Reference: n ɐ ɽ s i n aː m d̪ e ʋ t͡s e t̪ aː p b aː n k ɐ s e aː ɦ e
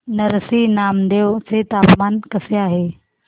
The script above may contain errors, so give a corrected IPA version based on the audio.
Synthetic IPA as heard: n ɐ ɾ s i n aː m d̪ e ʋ t͡s e t̪ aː p m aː n k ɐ s e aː ɦ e